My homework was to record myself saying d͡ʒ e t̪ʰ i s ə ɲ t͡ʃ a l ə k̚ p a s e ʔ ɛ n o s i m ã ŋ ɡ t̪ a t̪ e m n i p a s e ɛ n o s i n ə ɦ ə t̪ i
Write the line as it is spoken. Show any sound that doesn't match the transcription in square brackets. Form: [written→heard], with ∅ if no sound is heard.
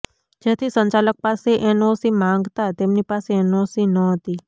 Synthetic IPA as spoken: d͡ʒ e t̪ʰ i s ə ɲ t͡ʃ a l ə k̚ p a s e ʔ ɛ n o s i m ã ŋ ɡ t̪ a t̪ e m n i p a s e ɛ n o s i n ə ɦ ə t̪ i